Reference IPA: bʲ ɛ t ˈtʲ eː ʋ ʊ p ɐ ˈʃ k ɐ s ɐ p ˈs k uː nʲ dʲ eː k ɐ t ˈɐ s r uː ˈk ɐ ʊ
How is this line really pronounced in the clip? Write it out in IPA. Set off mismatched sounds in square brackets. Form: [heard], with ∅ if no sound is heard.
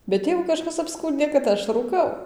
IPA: bʲ ɛ t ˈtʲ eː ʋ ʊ [k] ɐ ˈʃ k ɐ s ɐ p ˈs k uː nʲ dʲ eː k ɐ t ˈɐ [ʃ] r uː ˈk ɐ ʊ

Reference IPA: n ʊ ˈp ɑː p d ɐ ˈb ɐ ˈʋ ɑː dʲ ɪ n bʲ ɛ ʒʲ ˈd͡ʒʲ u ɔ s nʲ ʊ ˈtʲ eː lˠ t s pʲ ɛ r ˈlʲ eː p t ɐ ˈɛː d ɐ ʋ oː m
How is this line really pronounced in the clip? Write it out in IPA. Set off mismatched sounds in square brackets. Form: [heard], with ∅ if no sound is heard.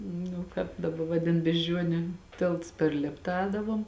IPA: n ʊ [ˈk] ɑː p d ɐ ˈb ɐ ˈʋ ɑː dʲ ɪ n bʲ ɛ ʒʲ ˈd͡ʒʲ u ɔ [∅] nʲ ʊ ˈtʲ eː lˠ t s pʲ ɛ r ˈlʲ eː p t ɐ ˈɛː d ɐ ʋ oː m

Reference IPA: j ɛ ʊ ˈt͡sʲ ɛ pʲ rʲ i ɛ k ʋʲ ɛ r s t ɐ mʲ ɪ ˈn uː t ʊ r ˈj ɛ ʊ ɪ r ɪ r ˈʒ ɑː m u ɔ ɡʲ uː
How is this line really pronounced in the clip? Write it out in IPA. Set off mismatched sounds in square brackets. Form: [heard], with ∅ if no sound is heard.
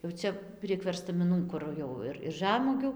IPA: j ɛ ʊ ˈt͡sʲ ɛ pʲ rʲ i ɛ k ʋʲ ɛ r s t ɐ mʲ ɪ ˈn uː [k] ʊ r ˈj ɛ ʊ ɪ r ɪ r ˈʒ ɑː m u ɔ ɡʲ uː

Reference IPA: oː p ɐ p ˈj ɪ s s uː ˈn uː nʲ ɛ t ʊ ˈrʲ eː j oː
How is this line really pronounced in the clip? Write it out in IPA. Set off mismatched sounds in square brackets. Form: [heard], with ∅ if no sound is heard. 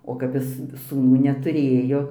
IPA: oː [k] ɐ p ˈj ɪ s s uː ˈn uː nʲ ɛ t ʊ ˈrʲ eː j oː

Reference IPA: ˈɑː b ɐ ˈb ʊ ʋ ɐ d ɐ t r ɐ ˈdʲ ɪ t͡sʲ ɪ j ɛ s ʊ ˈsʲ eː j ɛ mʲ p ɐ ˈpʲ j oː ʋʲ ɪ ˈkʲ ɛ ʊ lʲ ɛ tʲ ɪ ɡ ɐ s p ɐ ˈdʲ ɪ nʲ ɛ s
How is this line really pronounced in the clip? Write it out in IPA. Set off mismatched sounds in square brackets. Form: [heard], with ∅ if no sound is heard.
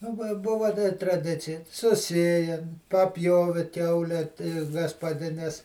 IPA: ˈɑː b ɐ ˈb ʊ ʋ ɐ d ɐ t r ɐ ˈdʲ ɪ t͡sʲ ɪ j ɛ s ʊ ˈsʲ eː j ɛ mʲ p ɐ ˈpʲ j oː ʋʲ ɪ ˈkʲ ɛ ʊ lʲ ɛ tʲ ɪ ɡ ɐ s p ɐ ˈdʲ ɪ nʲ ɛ s

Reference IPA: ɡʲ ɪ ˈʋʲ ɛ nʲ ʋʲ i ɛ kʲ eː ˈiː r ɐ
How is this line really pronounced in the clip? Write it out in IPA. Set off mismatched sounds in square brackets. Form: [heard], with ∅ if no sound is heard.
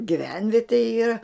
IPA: ɡʲ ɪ ˈʋʲ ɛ nʲ ʋʲ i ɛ [tʲ] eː ˈiː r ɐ

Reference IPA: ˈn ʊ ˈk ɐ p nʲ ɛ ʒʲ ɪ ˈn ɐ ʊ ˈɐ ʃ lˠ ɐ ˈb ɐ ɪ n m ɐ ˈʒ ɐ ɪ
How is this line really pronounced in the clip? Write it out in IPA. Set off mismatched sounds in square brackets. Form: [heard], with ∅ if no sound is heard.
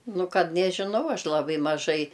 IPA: ˈn ʊ ˈk ɐ [t] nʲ ɛ ʒʲ ɪ ˈn ɐ ʊ ˈɐ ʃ lˠ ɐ ˈb ɐ ɪ [∅] m ɐ ˈʒ ɐ ɪ

